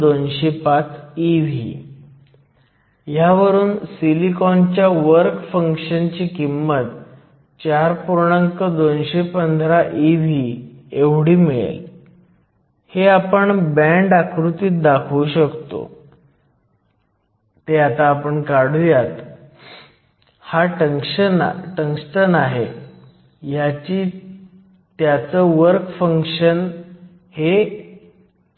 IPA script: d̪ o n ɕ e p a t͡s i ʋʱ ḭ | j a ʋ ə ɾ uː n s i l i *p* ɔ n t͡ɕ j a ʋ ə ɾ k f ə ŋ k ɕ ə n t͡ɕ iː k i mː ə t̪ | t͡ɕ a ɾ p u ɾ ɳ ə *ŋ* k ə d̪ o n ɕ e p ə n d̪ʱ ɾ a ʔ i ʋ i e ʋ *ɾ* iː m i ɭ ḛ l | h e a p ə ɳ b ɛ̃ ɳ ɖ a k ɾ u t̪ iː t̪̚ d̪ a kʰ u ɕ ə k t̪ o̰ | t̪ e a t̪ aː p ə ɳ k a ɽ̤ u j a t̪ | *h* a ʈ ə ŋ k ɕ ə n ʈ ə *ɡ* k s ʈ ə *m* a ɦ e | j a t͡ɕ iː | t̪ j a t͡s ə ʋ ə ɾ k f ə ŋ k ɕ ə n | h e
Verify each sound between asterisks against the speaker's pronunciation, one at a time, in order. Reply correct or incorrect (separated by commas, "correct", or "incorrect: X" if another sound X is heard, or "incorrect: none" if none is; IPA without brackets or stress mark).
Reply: incorrect: k, correct, incorrect: ɽ, correct, incorrect: ŋ, incorrect: n